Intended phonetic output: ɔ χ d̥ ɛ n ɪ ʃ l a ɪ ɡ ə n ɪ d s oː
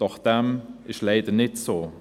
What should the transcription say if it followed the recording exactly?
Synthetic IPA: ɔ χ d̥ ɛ m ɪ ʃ l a ɪ d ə n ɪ t s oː